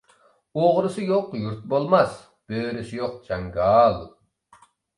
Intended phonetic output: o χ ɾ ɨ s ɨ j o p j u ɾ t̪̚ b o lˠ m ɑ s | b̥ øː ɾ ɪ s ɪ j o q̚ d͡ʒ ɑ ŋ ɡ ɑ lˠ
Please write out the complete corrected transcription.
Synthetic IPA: o ʁ ɾ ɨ s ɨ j o q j u ɾ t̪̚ b o lˠ m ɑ s | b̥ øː ɾ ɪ s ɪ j o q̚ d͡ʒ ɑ ŋ ɡ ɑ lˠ